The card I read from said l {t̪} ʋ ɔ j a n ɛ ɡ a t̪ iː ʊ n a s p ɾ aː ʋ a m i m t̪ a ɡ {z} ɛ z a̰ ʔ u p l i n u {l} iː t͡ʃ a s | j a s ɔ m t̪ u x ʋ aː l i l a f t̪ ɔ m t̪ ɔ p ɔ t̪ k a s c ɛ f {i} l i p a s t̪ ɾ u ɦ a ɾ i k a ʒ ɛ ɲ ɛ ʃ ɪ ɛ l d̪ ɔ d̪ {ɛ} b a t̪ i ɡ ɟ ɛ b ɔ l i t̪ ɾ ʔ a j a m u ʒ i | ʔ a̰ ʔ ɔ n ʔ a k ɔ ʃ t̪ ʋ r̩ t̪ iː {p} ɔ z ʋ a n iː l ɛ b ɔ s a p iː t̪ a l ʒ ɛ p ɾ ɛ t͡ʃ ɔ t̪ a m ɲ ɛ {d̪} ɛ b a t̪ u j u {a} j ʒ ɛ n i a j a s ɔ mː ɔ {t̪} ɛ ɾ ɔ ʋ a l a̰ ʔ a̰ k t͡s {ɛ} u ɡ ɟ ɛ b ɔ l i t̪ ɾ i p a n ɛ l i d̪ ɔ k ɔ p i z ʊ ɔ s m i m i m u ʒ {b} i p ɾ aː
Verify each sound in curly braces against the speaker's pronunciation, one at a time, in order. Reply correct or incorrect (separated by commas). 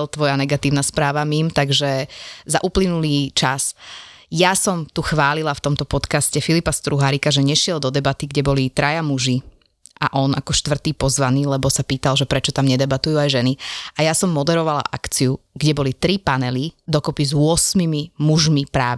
correct, incorrect, correct, correct, correct, correct, correct, correct, incorrect, incorrect, incorrect